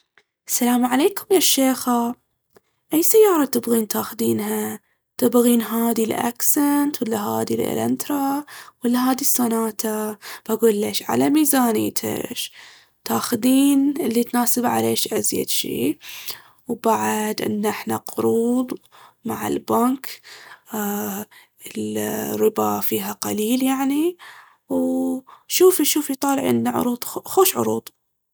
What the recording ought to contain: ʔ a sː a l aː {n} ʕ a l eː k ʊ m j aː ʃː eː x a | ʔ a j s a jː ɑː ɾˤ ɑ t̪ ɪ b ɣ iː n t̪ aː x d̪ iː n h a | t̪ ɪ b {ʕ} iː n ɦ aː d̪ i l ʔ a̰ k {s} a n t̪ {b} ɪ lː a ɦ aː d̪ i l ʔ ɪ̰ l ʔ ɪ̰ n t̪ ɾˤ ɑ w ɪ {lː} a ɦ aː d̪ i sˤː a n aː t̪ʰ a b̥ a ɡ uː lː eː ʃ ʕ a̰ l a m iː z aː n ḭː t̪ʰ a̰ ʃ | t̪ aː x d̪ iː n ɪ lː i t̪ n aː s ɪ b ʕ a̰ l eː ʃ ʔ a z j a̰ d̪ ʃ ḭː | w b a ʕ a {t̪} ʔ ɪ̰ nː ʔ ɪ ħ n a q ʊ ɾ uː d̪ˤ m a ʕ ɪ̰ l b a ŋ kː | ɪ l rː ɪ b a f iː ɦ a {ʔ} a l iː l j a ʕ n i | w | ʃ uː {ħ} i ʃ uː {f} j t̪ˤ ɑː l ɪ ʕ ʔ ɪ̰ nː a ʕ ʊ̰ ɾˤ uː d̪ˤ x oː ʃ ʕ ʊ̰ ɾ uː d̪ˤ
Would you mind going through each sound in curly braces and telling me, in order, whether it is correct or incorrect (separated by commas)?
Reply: incorrect, incorrect, correct, incorrect, correct, incorrect, incorrect, incorrect, correct